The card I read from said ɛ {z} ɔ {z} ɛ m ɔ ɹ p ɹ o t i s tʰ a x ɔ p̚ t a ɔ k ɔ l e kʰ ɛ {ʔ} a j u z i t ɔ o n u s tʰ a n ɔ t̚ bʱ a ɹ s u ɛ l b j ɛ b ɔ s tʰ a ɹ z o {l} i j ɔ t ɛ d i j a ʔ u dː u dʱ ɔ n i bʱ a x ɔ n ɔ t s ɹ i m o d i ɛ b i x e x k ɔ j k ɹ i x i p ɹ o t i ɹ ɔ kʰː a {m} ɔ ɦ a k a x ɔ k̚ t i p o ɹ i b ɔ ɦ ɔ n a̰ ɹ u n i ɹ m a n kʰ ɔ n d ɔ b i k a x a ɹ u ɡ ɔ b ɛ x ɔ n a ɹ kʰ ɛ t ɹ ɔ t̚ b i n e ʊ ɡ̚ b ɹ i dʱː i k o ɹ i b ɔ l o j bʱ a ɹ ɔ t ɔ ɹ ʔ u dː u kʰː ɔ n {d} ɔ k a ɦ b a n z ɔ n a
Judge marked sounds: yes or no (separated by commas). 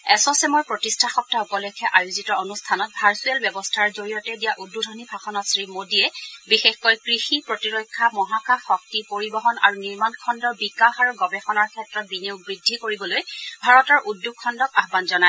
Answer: no, no, yes, no, yes, yes